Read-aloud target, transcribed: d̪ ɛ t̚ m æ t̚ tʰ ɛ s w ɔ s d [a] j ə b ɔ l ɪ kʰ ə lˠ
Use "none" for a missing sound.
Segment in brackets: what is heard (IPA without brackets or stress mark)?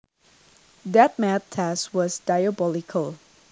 a